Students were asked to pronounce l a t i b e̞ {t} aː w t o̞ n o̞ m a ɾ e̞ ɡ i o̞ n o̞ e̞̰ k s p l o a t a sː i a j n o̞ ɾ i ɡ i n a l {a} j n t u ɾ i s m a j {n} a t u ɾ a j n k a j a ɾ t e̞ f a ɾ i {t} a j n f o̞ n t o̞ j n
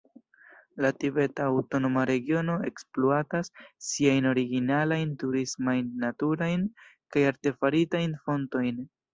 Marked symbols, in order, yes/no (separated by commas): yes, yes, no, yes